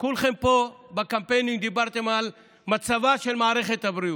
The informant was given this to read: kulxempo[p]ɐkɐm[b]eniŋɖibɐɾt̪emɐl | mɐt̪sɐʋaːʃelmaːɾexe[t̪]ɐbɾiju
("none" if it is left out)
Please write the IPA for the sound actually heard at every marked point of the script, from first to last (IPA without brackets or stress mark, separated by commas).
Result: b, p, t̪